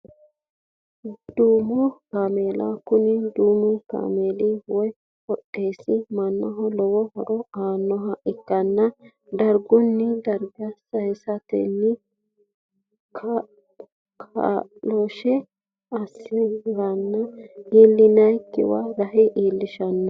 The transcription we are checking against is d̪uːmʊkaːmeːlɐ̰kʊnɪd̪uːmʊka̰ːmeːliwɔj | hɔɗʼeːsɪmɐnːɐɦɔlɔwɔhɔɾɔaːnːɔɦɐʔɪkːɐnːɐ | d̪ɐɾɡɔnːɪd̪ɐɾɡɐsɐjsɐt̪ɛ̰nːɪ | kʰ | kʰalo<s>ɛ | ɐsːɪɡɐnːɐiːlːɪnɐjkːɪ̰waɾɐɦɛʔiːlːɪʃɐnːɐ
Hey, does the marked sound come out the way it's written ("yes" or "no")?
no